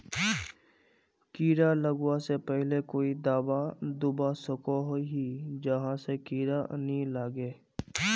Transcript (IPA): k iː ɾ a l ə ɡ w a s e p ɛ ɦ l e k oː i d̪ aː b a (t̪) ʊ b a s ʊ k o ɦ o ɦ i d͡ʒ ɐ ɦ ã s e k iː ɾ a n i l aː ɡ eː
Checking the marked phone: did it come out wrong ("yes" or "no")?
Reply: yes